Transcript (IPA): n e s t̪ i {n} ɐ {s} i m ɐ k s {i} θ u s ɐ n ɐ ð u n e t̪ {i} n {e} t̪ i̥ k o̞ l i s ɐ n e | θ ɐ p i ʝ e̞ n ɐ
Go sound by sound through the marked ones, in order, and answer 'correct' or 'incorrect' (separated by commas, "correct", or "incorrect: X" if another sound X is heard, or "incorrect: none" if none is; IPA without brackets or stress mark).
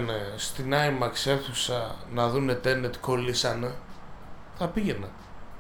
correct, incorrect: none, incorrect: e, incorrect: e, correct